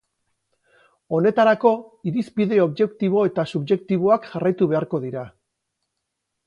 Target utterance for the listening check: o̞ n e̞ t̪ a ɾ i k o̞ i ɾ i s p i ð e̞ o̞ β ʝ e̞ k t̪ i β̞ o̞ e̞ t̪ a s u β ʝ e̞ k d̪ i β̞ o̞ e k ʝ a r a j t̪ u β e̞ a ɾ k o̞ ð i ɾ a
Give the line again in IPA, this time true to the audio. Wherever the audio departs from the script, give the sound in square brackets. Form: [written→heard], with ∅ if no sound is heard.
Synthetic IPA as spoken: o̞ n e̞ t̪ a ɾ [i→a] k o̞ i ɾ i s p i ð e̞ o̞ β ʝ e̞ k t̪ i β̞ o̞ e̞ t̪ a s u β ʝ e̞ k [d̪→t̪] i β̞ o̞ [e→a] k ʝ a r a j t̪ u β e̞ a ɾ k o̞ ð i ɾ a